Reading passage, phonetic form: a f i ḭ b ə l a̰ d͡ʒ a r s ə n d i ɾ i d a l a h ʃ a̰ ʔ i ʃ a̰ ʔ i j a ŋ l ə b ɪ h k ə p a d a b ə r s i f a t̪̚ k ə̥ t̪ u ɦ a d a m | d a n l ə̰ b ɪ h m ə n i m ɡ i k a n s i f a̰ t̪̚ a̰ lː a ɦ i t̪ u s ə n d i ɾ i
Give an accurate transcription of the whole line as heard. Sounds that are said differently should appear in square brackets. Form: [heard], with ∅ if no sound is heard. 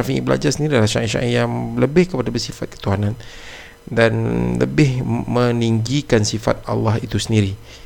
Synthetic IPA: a f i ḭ b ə l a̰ d͡ʒ a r s ə n d i ɾ i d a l a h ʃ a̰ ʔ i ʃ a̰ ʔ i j a ŋ l ə b ɪ h k ə p a d a b ə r s i f a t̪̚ k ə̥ t̪ u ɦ a [n] a [n] | d a n l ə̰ b ɪ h m ə n i [ŋ] ɡ i k a n s i f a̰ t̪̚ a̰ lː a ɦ i t̪ u s ə n d i ɾ i